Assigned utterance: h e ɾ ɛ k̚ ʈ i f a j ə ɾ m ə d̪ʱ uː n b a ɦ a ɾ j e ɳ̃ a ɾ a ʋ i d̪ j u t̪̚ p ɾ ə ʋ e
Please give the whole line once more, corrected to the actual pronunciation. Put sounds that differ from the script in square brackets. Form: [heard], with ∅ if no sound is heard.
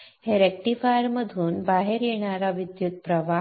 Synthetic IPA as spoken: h e ɾ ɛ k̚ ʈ i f a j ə ɾ m ə d̪ʱ uː n b a ɦ [e] ɾ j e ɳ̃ a ɾ a ʋ i d̪ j u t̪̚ p ɾ ə ʋ [a]